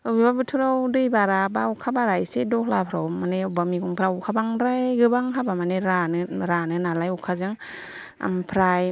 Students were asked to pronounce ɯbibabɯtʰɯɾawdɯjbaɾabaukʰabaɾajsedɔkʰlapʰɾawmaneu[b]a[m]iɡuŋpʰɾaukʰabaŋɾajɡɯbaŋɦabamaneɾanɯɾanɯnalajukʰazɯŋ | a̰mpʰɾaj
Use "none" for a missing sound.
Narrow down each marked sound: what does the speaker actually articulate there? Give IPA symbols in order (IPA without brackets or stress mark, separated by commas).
b, m